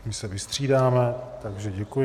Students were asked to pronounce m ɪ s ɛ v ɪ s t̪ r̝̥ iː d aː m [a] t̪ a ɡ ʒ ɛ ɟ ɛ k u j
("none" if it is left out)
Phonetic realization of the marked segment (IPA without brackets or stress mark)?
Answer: ɛ